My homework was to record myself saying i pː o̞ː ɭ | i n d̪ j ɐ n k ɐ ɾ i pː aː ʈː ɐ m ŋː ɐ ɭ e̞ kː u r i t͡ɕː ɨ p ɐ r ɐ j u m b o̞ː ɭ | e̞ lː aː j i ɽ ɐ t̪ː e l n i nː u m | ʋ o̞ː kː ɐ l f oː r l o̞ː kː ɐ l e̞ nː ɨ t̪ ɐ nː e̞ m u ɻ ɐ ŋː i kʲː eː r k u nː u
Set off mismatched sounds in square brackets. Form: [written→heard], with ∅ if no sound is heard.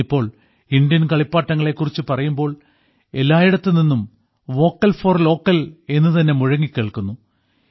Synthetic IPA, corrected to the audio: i pː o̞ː ɭ | i n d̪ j ɐ n k ɐ [ɾ→ɭ] i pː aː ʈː ɐ [m→∅] ŋː ɐ ɭ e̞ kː u r i t͡ɕː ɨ p ɐ r ɐ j u m b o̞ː ɭ | e̞ lː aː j i ɽ ɐ t̪ː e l n i nː u m | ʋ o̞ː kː ɐ l f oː r l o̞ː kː ɐ l e̞ nː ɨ t̪ ɐ nː e̞ m u ɻ ɐ ŋː i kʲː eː [r→ɭ] k u nː u